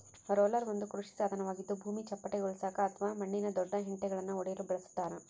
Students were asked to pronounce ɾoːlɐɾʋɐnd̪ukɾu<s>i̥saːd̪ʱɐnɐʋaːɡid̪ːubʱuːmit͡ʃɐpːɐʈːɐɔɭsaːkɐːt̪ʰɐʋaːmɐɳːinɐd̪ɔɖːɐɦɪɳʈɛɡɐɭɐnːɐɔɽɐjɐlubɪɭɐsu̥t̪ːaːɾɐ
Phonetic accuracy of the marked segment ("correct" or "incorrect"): incorrect